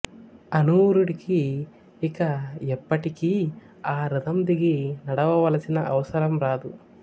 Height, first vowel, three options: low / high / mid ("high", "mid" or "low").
low